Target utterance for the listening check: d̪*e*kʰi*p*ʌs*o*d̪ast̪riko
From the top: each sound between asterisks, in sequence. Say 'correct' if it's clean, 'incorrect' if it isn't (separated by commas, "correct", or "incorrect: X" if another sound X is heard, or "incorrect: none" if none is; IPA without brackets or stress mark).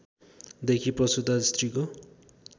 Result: correct, correct, incorrect: u